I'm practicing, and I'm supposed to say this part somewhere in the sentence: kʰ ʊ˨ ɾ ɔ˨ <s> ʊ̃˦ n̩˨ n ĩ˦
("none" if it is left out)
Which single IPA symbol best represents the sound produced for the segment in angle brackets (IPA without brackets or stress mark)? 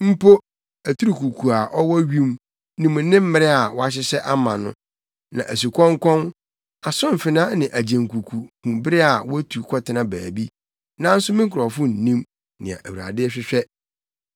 f